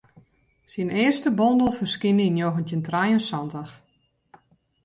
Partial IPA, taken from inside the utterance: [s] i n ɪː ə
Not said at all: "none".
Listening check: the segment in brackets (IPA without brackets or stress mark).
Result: s